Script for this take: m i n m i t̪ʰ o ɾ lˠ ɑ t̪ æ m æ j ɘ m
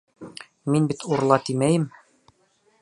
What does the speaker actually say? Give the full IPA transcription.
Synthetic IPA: m i n b i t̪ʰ u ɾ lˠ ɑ t̪ i m æ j ɘ m